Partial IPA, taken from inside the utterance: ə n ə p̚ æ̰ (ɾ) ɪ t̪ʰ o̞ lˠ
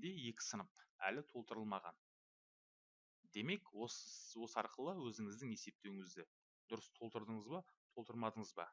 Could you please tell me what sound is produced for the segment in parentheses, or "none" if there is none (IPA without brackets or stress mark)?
l